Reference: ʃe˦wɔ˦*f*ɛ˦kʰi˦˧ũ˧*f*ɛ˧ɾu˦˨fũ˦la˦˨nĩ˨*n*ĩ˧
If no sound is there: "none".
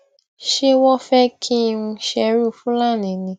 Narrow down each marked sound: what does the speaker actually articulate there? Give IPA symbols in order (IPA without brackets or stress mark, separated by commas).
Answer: f, ʃ, n